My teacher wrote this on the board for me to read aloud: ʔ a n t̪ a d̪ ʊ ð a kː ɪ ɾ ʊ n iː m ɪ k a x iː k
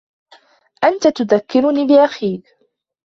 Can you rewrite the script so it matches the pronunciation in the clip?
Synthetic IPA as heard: ʔ a n t̪ a t̪ ʊ ð a kː ɪ ɾ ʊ n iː b ɪ ʔ a x iː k